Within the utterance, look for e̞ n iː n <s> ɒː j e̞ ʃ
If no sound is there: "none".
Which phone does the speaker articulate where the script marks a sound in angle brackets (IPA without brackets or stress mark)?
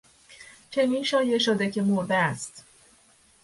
ʃ